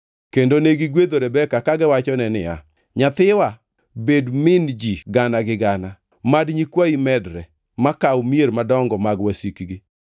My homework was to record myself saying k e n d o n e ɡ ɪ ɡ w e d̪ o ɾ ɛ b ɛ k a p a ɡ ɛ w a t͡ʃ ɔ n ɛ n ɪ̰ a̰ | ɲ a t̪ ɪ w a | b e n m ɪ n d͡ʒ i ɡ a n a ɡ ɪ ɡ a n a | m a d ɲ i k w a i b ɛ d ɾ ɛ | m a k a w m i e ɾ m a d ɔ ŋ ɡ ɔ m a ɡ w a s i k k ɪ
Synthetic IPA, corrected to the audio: k e n d o n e ɡ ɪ ɡ w e d̪ o ɾ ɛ b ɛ k a k a ɡ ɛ w a t͡ʃ ɔ n ɛ n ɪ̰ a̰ | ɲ a t̪ ɪ w a | b e d m ɪ n d͡ʒ i ɡ a n a ɡ ɪ ɡ a n a | m a d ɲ i k w a i m ɛ d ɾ ɛ | m a k a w m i e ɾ m a d ɔ ŋ ɡ ɔ m a ɡ w a s i k ɡ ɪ